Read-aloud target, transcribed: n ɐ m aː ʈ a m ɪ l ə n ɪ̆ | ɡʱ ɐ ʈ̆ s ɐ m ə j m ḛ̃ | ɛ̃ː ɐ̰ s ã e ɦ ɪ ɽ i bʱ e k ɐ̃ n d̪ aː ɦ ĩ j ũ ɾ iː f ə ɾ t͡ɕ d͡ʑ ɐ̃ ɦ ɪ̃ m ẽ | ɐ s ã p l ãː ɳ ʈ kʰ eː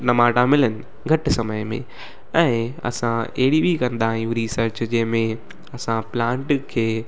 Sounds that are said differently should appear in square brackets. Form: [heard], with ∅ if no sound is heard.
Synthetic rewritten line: n ɐ m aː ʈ a m ɪ l ə n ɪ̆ | ɡʱ ɐ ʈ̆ s ɐ m ə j m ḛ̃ | ɛ̃ː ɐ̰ s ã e ɦ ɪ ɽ i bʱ [i] k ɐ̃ n d̪ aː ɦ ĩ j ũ ɾ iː [s] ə ɾ t͡ɕ d͡ʑ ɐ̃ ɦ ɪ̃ m ẽ | ɐ s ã p l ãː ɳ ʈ kʰ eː

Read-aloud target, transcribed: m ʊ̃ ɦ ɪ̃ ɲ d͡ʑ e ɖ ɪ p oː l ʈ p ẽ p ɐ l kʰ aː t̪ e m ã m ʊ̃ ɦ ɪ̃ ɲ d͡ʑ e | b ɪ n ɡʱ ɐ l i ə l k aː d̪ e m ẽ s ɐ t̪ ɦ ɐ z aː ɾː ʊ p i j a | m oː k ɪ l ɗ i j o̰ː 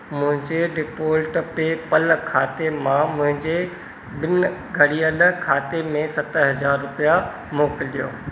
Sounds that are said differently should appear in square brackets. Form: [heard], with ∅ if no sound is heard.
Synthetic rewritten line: m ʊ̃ ɦ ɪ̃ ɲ d͡ʑ e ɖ ɪ p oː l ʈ p [e] p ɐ l kʰ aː t̪ e m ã m ʊ̃ ɦ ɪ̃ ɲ d͡ʑ e | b ɪ n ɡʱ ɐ [ɽ] i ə l [kʰ] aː [t̪] e m ẽ s ɐ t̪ ɦ ɐ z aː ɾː ʊ p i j a | m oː k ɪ l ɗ i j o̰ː

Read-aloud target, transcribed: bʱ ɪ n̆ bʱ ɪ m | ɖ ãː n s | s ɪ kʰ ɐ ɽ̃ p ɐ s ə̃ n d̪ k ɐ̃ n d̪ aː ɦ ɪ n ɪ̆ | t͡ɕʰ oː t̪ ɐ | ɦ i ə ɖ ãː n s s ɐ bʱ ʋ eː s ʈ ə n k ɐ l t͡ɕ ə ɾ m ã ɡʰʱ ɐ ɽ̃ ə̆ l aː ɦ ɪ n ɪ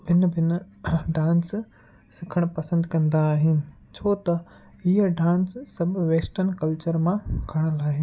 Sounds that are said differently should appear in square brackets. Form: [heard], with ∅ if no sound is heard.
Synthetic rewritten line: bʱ ɪ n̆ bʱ ɪ [n] | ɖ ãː n s | s ɪ kʰ [ə] ɽ̃ p ɐ s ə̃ n d̪ k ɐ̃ n d̪ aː ɦ ɪ n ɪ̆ | t͡ɕʰ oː t̪ ɐ | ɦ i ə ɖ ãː n s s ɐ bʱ ʋ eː s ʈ ə n k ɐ l t͡ɕ ə ɾ m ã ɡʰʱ ɐ ɽ̃ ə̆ l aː ɦ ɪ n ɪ

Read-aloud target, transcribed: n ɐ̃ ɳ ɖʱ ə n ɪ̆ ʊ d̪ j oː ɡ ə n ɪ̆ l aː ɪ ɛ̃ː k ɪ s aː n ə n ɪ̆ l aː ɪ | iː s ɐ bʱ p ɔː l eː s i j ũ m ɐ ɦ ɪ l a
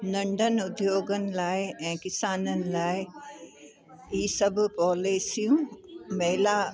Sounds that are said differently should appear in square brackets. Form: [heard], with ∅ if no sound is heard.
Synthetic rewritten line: n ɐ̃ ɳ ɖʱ ə n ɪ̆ ʊ d̪ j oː ɡ ə n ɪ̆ l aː ɪ ɛ̃ː k ɪ s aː n ə n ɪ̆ l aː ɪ | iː s ɐ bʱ p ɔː l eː s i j ũ m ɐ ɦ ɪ l a

